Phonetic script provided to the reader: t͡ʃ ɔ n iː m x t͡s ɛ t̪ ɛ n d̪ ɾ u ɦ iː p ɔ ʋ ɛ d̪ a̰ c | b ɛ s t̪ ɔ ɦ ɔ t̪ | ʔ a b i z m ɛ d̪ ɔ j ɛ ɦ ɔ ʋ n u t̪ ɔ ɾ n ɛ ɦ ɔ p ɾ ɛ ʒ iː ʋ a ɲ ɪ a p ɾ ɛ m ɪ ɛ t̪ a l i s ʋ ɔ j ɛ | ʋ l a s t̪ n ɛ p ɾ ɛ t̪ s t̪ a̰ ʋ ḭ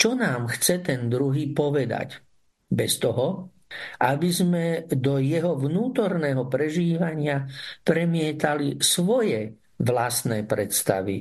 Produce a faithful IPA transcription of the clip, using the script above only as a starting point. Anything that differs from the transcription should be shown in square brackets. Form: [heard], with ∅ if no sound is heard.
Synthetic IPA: t͡ʃ ɔ n [aː] m x t͡s ɛ t̪ ɛ n d̪ ɾ u ɦ iː p ɔ ʋ ɛ d̪ a̰ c | b ɛ s t̪ ɔ ɦ ɔ [∅] | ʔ a b i z m ɛ d̪ ɔ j ɛ ɦ ɔ ʋ n [uː] t̪ ɔ ɾ n ɛ ɦ ɔ p ɾ ɛ ʒ iː ʋ a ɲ ɪ a p ɾ ɛ m ɪ ɛ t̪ a l i s ʋ ɔ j ɛ | ʋ l a s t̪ n ɛ p ɾ ɛ t̪ s t̪ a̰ ʋ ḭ